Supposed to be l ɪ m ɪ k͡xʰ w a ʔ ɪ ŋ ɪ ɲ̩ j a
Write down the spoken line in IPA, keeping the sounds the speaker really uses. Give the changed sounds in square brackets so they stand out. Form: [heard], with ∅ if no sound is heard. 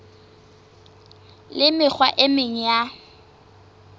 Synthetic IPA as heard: l ɪ m ɪ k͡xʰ w a ʔ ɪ [m] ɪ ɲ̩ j a